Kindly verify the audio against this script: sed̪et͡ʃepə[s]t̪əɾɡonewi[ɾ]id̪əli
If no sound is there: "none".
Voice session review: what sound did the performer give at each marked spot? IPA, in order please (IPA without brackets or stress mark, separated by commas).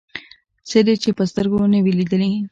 s, l